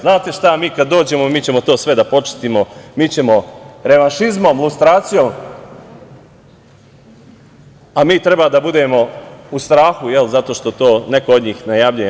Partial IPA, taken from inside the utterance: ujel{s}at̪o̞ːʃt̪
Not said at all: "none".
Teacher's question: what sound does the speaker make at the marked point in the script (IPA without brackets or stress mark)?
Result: z